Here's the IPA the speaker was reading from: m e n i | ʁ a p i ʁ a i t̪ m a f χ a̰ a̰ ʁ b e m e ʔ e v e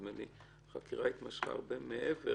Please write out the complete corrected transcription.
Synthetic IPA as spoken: m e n i | χ a k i ʁ a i t̪ m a ʃ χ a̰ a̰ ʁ b e m e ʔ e v e

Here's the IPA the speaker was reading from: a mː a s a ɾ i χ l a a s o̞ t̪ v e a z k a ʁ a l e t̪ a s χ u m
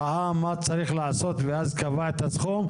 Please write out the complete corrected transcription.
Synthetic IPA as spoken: a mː a t͡s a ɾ i χ l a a s o̞ t̪ v e a z k a v a e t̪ a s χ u m

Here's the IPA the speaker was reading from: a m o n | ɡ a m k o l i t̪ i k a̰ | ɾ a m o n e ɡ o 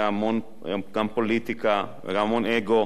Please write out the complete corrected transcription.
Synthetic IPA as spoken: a m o n | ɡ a m p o l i t̪ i k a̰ | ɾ a m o n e ɡ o

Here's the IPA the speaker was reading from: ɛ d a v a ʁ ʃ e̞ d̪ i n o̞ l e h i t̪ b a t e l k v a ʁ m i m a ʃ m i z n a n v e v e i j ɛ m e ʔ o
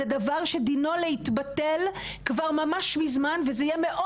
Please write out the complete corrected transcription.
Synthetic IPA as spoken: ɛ d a v a ʁ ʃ e̞ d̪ i n o̞ l e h i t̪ b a t e l k v a ʁ m a m a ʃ m i z m a n v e z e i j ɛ m e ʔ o

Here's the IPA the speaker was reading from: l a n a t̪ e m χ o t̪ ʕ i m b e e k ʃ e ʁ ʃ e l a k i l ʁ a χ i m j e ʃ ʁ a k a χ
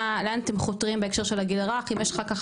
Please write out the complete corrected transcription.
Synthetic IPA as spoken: l a n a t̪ e m χ o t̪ ʁ i m b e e k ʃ e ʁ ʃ e l a ɡ i l ʁ a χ i m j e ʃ χ a k a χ

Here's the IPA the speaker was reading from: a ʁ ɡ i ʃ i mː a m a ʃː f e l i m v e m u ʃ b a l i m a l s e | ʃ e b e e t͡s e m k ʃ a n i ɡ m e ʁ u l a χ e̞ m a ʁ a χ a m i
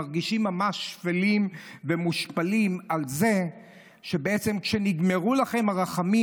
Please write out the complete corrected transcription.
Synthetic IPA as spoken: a ʁ ɡ i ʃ i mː a m a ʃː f e l i m v e m u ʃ p a l i m a l z e | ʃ e b e e t͡s e m k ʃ e n i ɡ m e ʁ u l a χ e̞ m a ʁ a χ a m i

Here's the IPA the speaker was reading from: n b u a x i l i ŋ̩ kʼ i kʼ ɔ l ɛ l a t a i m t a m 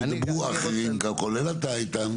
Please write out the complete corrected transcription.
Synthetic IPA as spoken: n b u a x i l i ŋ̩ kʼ a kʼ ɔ l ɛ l a t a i t a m

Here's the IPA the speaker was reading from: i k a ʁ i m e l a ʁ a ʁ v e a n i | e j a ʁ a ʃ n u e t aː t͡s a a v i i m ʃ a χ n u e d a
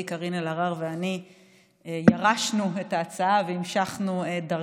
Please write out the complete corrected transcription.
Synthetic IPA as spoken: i k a ʁ i n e l a ʁ a ʁ v e a n i | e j a ʁ a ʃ n u e t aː t͡s a a v e i m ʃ a χ n u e d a

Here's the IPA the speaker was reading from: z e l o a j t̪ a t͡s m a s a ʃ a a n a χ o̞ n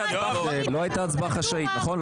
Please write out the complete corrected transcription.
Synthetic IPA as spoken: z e l o a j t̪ a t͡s b a χ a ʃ a i n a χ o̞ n

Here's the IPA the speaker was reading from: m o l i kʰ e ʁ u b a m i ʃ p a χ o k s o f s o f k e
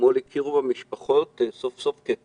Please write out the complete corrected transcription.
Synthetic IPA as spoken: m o l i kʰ i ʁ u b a m i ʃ p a χ o t s o f s o f k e

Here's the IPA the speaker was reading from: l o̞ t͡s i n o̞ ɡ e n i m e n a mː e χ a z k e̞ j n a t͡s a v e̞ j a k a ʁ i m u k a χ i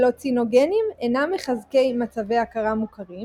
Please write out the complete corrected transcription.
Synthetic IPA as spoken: l o̞ t͡s i n o̞ ɡ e n i m e n a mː e χ a z k e̞ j m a t͡s a v e̞ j a k a ʁ a m u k a ʁ i

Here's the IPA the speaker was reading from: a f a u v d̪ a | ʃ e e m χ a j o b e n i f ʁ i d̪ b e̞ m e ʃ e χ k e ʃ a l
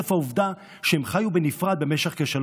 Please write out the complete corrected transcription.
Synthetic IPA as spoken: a f a u v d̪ a | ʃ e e m χ a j u b e n i f ʁ a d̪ b e̞ m e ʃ e χ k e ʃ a l

